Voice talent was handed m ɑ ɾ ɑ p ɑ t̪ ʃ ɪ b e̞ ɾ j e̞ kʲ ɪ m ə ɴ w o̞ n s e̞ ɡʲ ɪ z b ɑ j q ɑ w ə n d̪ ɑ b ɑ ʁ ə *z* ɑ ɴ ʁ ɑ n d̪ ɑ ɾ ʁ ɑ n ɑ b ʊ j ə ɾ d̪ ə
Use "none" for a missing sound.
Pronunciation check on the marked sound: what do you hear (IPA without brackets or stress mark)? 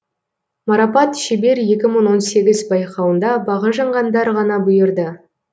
ʒ